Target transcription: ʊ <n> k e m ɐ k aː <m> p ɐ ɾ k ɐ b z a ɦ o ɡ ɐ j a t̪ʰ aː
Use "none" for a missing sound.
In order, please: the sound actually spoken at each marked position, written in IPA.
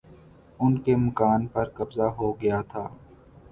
n, n

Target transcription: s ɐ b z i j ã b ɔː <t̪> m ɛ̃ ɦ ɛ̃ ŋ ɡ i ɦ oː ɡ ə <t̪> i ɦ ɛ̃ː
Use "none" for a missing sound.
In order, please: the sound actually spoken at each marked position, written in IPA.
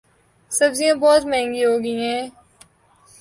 t̪, none

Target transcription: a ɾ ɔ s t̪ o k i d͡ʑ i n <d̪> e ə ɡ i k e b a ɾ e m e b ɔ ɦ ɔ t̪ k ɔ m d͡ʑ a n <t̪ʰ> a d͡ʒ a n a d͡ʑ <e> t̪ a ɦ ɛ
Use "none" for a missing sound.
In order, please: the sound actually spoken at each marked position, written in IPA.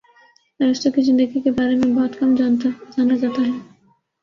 d̪, t̪, a

